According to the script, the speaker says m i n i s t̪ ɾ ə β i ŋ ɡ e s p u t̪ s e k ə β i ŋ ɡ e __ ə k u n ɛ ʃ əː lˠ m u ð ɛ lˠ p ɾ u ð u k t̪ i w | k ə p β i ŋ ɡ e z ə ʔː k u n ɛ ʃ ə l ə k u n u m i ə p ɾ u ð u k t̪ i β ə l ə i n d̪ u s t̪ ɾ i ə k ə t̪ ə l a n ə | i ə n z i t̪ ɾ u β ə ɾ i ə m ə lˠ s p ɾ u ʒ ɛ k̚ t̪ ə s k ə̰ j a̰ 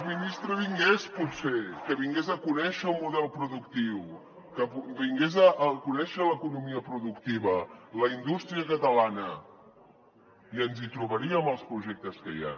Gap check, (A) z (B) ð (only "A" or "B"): A